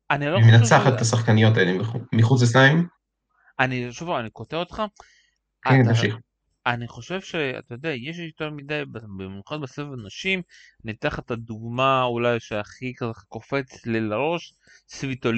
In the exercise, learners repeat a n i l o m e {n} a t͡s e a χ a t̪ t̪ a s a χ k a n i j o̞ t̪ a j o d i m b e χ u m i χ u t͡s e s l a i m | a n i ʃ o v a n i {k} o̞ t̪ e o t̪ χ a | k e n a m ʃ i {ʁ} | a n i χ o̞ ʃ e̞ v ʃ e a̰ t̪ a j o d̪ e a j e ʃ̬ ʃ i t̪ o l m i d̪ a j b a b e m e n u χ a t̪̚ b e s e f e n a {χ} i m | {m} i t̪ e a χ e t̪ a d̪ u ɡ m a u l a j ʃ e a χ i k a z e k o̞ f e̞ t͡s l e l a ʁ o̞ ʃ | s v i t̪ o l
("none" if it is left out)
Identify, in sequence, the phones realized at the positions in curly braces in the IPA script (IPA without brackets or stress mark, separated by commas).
n, k, χ, ʃ, n